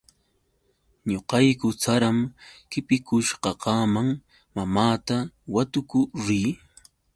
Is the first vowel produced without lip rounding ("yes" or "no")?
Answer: no